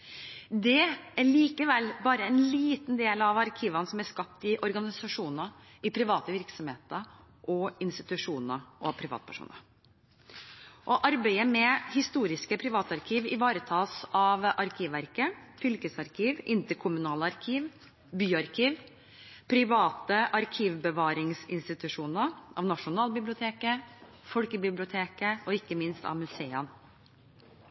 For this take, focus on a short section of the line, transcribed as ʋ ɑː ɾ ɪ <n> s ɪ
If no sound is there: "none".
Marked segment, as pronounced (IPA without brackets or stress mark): ŋ